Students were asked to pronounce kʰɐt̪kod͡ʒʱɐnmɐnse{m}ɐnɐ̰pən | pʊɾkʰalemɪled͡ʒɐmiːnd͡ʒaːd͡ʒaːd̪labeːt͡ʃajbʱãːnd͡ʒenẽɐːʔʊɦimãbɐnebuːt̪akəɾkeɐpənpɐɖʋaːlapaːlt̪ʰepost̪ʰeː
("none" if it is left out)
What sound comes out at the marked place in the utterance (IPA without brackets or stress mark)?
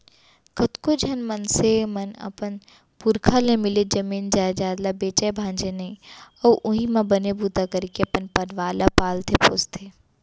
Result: m